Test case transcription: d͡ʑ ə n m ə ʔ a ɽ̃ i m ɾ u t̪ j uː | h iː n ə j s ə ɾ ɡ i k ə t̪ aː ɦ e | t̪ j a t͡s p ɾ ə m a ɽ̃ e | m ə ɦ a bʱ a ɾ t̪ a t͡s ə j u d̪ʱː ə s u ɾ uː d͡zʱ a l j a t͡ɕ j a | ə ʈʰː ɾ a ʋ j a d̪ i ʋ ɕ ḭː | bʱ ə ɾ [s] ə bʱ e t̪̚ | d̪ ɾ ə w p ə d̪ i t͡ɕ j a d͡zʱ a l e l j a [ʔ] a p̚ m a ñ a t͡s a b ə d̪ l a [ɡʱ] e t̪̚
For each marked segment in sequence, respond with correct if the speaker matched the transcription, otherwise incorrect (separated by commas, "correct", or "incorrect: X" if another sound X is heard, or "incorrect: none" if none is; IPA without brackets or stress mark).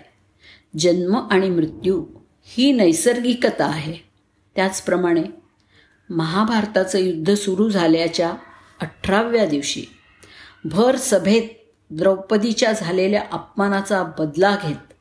correct, correct, correct